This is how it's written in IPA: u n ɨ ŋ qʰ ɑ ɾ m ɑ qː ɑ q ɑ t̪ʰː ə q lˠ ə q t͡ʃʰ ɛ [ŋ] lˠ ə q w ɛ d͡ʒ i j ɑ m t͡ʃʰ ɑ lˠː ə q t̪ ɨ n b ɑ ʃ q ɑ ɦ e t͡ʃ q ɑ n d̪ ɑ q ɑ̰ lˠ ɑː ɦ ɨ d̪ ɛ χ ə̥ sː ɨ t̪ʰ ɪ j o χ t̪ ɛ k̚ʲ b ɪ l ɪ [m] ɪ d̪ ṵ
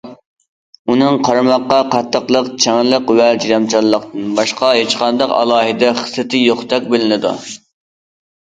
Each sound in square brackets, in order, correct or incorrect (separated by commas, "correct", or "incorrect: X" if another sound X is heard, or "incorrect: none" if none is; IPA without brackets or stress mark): correct, incorrect: n